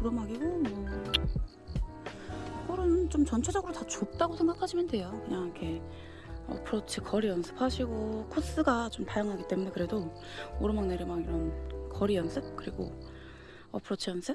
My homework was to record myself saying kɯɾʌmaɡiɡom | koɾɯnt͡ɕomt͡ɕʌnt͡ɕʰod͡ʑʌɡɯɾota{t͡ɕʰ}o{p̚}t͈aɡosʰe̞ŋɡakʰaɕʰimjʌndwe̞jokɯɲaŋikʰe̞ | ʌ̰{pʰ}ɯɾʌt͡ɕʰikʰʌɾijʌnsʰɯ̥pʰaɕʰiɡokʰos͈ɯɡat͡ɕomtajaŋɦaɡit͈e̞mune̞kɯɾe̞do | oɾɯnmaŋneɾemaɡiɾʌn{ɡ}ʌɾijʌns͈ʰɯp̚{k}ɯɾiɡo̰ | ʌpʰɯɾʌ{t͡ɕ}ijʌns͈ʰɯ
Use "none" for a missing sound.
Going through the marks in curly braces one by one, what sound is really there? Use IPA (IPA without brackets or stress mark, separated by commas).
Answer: t͡ɕ, p̚, pʰ, k, k, t͡ɕʰ